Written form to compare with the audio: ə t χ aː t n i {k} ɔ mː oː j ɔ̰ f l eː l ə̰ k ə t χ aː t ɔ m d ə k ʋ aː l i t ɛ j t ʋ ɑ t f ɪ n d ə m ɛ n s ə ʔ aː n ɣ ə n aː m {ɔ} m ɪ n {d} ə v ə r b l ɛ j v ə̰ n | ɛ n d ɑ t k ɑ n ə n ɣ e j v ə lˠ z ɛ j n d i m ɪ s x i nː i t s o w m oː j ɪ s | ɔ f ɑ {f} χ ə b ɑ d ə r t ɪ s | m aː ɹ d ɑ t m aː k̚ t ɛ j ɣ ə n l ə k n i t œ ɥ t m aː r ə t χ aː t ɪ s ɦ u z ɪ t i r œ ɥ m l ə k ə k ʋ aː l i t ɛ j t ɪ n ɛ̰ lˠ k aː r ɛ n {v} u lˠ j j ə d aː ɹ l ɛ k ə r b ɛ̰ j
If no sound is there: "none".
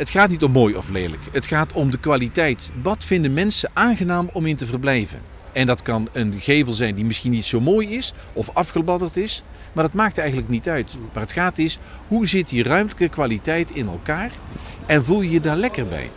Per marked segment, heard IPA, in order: t, ɔ, t, f, v

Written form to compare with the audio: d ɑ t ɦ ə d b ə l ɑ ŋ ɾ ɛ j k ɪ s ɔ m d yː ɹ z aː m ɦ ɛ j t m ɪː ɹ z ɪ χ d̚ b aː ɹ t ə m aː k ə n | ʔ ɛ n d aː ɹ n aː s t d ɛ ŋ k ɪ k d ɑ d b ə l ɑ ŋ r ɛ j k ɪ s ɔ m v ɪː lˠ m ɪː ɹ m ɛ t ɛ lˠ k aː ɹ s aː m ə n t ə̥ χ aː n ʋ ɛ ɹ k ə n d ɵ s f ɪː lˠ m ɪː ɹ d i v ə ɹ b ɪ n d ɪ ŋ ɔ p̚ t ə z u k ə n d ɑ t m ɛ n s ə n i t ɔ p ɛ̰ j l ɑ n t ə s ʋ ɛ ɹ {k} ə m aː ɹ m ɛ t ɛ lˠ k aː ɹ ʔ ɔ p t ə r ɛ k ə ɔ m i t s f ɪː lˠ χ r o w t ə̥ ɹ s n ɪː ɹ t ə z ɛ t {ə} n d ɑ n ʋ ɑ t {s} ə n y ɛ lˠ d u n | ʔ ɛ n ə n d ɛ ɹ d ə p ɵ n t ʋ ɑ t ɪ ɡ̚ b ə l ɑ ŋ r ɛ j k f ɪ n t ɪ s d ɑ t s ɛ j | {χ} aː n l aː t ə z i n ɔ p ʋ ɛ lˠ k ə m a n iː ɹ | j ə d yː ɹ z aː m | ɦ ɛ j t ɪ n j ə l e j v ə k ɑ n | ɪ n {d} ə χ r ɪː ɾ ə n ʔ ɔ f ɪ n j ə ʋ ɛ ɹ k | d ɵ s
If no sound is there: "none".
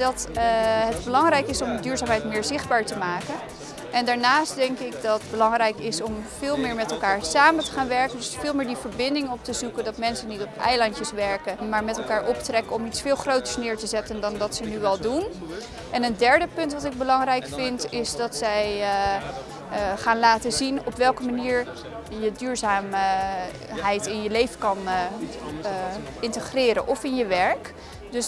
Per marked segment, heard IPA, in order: k, ə, s, χ, t

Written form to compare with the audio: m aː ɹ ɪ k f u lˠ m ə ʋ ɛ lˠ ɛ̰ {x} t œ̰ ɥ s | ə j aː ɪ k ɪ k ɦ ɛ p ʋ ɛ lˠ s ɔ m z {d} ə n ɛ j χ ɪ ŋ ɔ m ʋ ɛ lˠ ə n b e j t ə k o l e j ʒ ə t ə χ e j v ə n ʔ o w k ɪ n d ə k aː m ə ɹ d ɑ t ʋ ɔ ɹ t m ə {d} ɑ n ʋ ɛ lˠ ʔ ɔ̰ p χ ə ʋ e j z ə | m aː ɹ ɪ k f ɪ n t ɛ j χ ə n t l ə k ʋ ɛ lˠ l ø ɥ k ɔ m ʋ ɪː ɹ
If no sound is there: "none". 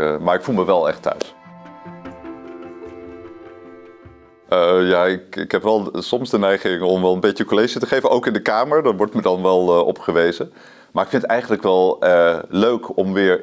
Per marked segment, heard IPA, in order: χ, d, d

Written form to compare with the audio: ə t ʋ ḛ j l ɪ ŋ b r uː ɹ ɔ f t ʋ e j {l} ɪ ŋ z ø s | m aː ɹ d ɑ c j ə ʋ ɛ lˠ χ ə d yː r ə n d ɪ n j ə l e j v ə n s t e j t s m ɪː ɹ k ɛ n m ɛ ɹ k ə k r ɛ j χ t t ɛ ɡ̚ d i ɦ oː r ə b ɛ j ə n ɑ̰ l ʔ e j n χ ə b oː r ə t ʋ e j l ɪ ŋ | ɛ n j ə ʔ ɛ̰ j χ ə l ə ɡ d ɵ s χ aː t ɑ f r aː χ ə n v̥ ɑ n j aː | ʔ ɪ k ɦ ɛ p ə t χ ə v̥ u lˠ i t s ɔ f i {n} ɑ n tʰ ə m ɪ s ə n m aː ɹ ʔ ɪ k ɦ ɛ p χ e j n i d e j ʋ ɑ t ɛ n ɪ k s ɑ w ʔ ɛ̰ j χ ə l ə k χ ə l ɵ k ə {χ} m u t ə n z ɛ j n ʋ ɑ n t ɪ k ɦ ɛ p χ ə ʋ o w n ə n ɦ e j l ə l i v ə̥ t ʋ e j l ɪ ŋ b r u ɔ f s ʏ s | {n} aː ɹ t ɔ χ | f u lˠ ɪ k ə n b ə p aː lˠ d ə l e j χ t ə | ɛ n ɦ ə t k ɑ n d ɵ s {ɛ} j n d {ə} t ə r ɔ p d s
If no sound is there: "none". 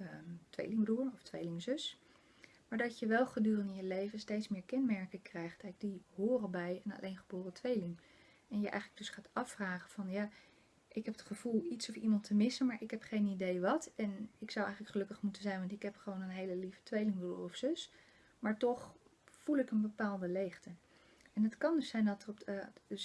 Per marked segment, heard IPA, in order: l, m, χ, m, ɛ, ɑ

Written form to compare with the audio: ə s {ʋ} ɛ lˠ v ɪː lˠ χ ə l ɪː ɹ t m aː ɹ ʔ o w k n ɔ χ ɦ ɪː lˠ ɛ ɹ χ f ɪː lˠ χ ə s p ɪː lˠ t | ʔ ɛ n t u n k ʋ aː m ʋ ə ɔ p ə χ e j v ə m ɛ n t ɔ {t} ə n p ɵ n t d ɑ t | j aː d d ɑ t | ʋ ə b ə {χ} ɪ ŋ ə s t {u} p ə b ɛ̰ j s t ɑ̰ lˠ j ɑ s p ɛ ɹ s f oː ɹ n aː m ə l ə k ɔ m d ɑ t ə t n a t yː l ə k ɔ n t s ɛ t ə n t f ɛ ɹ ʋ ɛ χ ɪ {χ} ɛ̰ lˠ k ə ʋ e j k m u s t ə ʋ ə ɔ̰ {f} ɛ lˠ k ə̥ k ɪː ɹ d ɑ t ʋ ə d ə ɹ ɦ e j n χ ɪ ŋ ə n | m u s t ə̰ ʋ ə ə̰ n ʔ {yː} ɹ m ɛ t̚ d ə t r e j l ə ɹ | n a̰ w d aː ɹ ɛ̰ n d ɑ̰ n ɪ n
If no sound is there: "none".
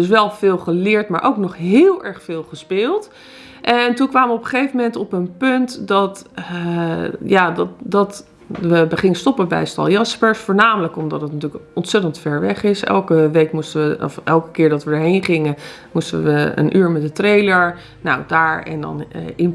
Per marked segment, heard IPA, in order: ʋ, p, χ, ɔ, s, f, yː

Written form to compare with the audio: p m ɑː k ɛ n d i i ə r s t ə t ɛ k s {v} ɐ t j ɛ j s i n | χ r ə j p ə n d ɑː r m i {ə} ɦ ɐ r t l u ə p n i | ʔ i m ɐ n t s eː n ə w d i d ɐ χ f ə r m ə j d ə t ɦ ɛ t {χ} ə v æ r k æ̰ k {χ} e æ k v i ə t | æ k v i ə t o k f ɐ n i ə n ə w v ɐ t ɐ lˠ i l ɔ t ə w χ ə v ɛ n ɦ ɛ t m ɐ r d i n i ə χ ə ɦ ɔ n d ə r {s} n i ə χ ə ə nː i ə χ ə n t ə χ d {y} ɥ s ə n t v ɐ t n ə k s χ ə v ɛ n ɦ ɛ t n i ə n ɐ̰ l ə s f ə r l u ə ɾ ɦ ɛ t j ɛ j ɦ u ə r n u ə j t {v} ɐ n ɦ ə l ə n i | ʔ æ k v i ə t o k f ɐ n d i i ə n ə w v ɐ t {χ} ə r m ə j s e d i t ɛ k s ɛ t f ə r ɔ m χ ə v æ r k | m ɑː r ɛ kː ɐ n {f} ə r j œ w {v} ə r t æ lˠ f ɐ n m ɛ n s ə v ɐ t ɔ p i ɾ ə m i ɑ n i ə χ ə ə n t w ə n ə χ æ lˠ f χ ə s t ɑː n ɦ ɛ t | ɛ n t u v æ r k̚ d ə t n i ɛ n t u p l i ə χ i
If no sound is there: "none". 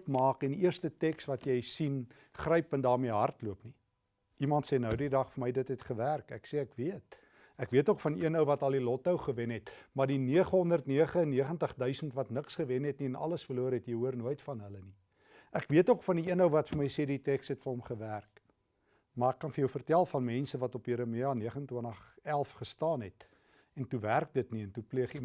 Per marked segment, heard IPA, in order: v, ə, χ, s, t, œ, f, f, f, f

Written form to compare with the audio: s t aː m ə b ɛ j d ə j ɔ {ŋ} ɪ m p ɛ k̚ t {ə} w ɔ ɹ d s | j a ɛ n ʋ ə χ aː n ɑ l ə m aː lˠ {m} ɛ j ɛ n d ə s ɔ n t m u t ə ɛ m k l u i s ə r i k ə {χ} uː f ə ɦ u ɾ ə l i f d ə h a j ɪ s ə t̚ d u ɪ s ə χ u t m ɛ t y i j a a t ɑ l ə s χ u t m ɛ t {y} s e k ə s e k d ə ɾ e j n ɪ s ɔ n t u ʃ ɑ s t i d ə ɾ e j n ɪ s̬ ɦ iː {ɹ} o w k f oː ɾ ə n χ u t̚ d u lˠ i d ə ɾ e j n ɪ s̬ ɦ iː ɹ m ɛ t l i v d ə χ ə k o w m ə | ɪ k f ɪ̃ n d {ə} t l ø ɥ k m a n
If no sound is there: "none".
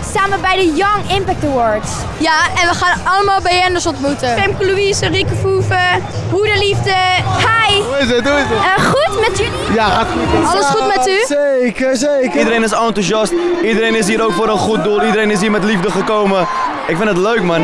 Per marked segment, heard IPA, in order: ŋ, ə, b, f, y, ɾ, ə

